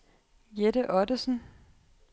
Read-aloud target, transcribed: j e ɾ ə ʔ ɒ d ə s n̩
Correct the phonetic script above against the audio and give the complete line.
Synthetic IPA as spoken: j e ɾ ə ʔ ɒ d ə s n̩